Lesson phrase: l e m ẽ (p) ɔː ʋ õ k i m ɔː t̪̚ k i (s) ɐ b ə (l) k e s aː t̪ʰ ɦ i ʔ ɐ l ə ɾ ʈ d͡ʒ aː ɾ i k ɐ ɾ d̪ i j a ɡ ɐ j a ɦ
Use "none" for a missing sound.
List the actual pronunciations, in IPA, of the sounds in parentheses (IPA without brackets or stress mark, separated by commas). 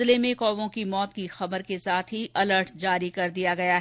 k, x, ɾ